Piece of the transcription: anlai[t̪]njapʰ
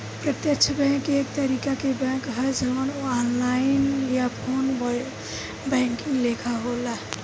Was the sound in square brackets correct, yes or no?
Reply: no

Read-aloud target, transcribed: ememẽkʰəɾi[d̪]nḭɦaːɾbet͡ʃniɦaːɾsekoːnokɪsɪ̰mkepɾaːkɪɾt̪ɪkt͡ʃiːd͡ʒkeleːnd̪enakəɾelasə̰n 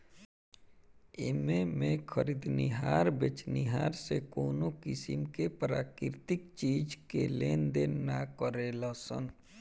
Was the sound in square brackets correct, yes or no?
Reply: yes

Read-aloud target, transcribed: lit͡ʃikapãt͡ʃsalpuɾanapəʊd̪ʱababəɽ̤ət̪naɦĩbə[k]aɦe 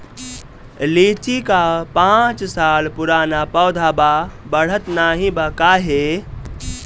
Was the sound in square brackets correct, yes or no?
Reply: yes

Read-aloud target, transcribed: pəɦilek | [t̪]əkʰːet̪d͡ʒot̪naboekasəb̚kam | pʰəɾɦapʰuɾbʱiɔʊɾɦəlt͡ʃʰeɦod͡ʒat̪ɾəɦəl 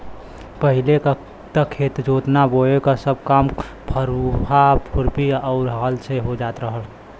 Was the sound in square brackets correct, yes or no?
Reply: yes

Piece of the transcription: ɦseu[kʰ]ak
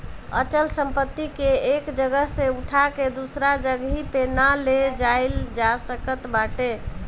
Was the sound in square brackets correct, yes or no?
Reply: no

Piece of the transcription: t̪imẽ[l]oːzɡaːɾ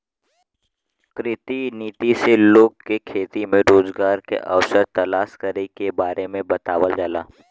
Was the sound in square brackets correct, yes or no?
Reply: no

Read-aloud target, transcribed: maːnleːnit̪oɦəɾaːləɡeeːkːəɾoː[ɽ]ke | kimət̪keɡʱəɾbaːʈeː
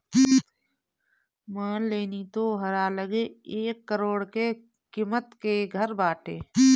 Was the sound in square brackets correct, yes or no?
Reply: yes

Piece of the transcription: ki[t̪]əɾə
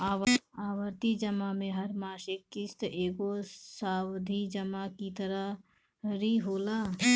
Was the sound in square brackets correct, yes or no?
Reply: yes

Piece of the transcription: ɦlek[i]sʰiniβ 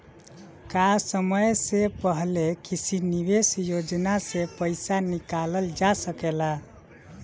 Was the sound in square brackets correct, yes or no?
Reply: yes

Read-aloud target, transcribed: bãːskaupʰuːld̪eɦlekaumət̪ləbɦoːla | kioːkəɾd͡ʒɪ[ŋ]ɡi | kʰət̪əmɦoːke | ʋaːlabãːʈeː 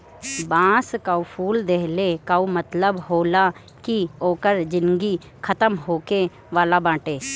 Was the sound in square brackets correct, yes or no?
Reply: no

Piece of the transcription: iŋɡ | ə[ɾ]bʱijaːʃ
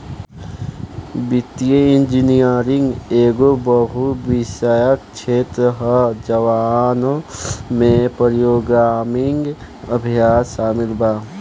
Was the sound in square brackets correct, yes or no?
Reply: no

